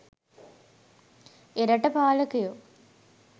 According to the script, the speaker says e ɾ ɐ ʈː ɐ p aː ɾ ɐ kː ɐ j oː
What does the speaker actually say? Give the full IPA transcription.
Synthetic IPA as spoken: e ɾ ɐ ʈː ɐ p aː l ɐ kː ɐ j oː